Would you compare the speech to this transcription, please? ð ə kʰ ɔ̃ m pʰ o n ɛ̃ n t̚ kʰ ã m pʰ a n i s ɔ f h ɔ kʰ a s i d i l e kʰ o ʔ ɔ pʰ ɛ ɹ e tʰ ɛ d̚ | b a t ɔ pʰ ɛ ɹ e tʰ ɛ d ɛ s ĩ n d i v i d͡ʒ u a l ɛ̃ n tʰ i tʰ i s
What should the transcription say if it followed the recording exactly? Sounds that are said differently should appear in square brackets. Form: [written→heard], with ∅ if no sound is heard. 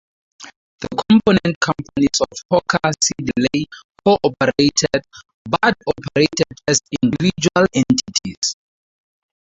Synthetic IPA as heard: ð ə kʰ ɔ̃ m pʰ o n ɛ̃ n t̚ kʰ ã m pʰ a n i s ɔ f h ɔ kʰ a s i d i l e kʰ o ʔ ɔ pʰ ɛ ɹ e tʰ ɛ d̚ | b a t ɔ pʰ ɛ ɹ e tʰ ɛ d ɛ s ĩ n d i v i d͡ʒ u a l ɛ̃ n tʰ i tʰ i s